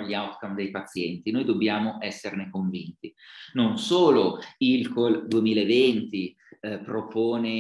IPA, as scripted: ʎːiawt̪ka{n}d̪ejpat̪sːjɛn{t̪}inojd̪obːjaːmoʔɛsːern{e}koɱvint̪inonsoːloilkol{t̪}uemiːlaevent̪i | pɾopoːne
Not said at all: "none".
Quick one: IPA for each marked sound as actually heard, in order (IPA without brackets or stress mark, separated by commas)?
m, t̪, e, d̪